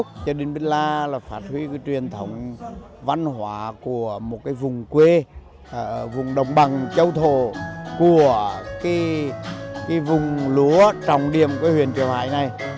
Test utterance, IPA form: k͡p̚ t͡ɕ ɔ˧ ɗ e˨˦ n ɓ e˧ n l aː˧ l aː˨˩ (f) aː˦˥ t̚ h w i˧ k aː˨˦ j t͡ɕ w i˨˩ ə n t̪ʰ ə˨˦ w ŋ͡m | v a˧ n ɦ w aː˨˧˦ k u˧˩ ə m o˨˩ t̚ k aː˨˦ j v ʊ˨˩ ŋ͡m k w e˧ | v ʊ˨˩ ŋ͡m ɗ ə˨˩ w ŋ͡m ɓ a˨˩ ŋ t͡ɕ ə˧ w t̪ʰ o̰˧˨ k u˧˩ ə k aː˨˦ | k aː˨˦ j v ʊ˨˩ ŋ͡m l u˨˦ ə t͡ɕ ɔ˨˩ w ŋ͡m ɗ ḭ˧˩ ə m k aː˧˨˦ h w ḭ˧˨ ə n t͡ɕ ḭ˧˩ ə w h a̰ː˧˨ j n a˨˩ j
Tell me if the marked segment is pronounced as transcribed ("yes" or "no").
yes